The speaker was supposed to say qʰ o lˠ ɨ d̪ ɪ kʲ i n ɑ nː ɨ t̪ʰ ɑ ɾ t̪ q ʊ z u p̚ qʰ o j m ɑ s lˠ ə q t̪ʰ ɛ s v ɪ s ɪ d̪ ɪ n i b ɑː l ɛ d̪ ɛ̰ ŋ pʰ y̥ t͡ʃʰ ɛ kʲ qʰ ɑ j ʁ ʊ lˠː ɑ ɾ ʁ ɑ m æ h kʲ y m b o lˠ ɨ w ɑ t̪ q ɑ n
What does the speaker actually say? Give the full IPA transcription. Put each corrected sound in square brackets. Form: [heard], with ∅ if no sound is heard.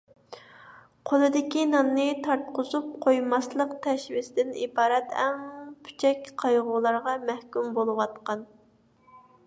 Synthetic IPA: qʰ o lˠ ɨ d̪ ɪ kʲ i n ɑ nː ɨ t̪ʰ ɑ ɾ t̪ q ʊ z u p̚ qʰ o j m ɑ s lˠ ə q t̪ʰ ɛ [ʃ] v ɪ s ɪ d̪ ɪ n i b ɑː [ɾ] ɛ [t̪] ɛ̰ ŋ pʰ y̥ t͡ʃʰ ɛ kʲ qʰ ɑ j ʁ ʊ [lˠ] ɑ ɾ ʁ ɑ m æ h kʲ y m b o lˠ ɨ w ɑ t̪ q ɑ n